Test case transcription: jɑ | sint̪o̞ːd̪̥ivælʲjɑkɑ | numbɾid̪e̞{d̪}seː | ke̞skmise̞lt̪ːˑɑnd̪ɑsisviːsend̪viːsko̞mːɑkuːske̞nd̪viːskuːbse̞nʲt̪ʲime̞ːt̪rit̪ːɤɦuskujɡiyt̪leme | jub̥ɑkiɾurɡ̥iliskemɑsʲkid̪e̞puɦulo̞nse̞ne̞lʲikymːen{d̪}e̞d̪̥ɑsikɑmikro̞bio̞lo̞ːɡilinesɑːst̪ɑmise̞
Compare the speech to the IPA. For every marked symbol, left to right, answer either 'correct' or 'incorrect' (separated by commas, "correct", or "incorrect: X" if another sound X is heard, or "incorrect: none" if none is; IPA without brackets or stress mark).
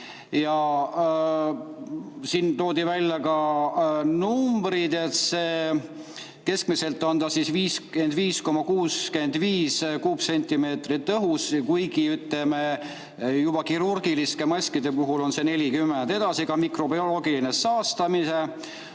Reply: incorrect: t̪, correct